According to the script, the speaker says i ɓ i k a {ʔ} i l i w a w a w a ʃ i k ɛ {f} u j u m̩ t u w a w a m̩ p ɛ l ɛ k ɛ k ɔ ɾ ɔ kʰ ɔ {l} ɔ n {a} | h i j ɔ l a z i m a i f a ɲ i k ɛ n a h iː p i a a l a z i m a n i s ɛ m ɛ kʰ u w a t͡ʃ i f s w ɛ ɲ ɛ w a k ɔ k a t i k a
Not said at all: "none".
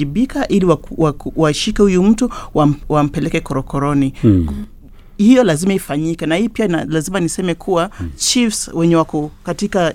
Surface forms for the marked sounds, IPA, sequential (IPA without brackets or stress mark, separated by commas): ʔ, h, ɾ, i